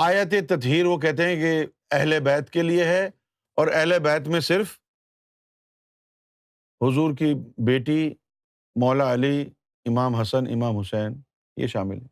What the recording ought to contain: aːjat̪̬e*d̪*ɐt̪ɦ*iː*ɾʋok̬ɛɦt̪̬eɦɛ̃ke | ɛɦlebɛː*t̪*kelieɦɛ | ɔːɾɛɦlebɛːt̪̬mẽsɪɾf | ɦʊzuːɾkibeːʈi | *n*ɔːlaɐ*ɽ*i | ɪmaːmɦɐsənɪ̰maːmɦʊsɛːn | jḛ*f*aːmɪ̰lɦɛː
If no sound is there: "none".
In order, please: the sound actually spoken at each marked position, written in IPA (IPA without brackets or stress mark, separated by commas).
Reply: t̪, iː, t̪, m, l, ʃ